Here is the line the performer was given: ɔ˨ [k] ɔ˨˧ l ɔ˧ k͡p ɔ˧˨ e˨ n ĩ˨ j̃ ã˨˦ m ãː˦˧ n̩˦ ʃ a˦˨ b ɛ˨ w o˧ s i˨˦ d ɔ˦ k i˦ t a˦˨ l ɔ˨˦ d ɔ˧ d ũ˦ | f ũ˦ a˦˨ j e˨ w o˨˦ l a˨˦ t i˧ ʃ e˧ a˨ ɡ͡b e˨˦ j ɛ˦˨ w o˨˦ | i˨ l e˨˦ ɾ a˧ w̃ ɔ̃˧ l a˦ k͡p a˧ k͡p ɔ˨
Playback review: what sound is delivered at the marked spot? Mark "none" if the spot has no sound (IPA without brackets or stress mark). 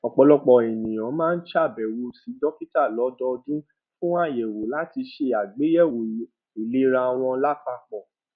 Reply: k͡p